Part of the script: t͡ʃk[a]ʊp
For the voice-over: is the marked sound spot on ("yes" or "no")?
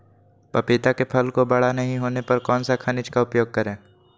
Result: yes